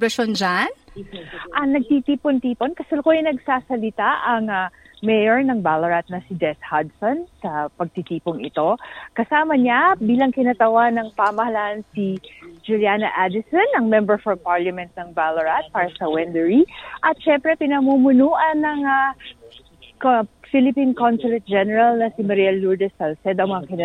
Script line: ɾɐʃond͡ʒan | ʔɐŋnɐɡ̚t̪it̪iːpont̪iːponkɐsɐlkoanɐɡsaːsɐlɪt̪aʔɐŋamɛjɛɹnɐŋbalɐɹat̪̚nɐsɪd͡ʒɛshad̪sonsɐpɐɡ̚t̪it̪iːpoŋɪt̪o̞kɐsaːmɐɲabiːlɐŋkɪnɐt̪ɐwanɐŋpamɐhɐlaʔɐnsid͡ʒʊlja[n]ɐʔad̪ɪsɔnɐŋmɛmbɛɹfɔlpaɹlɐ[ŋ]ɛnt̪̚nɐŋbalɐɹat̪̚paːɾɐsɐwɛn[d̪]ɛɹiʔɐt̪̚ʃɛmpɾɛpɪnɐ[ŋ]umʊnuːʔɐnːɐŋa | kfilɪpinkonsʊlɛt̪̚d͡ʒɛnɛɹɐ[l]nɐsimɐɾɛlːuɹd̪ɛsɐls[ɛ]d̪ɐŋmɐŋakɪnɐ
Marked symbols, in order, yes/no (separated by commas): yes, no, yes, no, yes, yes